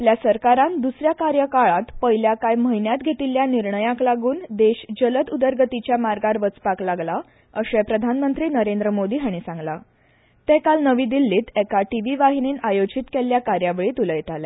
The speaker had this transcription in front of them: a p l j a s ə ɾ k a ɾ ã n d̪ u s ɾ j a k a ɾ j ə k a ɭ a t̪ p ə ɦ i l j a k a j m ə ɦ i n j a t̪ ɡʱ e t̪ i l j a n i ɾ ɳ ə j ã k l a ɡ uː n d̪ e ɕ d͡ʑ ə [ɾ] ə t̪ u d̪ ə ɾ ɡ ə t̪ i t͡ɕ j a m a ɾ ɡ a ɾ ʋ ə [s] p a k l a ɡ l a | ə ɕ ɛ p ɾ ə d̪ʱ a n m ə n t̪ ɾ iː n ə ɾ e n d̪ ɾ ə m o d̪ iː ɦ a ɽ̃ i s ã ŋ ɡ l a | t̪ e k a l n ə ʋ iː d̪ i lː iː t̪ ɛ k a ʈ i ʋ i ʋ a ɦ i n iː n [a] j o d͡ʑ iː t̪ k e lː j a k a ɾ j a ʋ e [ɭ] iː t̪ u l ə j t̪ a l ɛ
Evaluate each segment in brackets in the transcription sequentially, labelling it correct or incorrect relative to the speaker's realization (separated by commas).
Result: incorrect, incorrect, correct, correct